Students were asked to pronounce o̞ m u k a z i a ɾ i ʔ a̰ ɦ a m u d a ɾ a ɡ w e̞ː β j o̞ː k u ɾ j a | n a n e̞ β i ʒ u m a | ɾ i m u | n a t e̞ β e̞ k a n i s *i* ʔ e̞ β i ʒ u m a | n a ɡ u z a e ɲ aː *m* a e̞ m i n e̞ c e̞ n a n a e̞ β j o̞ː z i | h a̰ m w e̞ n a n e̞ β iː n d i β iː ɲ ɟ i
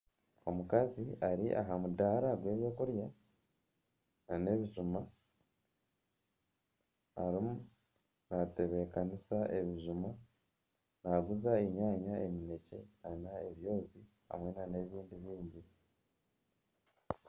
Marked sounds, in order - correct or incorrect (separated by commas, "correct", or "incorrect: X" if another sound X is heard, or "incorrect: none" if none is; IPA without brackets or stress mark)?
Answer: incorrect: a, incorrect: ɲ